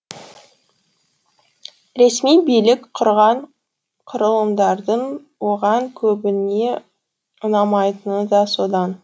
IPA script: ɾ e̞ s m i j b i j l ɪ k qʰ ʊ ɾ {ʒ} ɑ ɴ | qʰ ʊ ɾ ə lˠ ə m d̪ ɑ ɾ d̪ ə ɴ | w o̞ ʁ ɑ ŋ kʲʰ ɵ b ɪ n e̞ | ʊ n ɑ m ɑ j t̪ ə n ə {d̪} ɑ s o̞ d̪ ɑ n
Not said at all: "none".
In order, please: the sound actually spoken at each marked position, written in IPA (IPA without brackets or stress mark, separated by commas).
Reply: ʁ, d̪